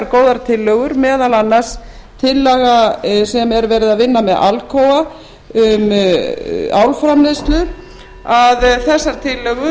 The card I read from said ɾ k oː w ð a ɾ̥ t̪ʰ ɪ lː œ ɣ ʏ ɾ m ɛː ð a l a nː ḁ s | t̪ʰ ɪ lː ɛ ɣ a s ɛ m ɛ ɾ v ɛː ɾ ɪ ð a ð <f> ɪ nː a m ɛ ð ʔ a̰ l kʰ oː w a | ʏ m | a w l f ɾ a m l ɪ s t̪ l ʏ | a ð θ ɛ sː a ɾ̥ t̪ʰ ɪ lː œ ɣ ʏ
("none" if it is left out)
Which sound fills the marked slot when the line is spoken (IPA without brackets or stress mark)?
v